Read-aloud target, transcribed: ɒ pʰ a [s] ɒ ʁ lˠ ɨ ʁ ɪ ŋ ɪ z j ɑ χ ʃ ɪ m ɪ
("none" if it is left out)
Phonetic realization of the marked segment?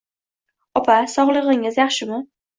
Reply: s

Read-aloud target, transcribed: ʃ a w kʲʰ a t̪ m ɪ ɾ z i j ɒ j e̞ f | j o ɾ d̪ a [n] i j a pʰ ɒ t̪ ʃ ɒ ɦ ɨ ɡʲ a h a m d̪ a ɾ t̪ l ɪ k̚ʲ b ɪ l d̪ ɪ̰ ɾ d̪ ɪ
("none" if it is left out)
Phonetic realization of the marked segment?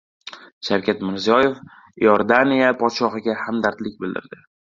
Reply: n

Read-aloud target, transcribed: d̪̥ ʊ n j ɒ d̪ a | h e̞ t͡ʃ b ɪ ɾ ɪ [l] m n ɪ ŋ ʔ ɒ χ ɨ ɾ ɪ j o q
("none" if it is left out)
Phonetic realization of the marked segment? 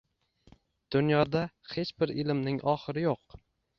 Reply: l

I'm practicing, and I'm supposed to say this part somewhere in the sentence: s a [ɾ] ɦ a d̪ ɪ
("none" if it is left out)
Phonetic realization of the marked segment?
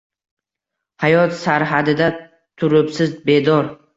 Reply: ɾ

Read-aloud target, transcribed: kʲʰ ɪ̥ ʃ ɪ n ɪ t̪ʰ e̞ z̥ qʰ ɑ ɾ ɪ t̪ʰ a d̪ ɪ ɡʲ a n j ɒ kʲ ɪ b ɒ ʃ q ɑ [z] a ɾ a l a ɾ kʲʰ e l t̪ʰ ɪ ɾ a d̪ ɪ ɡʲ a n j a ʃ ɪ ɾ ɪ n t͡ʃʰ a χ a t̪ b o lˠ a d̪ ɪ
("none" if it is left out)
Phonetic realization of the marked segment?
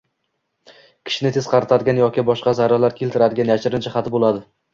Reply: z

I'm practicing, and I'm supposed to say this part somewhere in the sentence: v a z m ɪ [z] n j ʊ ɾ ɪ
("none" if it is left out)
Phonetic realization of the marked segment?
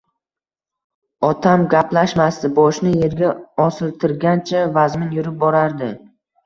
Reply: none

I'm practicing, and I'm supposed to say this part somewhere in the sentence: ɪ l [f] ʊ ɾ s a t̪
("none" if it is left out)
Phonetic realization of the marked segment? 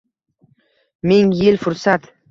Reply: f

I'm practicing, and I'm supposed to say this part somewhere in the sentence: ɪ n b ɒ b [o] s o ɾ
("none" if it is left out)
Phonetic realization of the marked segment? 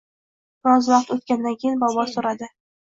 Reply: ɒ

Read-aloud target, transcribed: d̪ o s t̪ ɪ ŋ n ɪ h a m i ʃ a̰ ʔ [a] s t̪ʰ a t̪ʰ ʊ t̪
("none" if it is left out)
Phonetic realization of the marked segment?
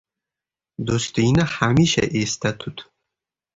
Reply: e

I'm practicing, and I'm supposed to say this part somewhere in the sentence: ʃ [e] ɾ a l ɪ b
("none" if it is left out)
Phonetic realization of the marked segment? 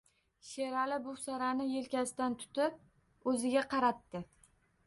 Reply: e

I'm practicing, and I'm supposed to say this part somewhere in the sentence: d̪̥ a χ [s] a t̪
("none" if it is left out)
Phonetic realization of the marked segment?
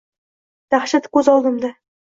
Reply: ʃ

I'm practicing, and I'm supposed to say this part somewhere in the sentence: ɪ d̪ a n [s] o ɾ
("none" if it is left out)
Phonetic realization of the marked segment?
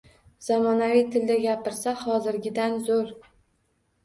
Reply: z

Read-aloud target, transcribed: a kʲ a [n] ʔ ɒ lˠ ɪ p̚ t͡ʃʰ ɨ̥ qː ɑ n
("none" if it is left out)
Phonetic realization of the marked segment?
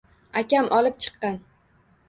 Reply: m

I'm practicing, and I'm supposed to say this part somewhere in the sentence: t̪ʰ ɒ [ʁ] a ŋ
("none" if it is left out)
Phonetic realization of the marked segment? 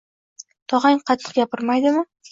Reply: ʁ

